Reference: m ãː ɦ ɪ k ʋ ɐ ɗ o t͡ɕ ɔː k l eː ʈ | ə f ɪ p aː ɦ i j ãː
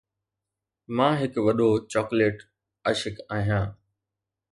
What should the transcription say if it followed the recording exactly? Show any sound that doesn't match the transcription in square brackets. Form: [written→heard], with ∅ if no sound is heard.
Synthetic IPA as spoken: m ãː ɦ ɪ k ʋ ɐ ɗ o t͡ɕ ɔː k l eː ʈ | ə [f→ʃ] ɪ [p→k] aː ɦ i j ãː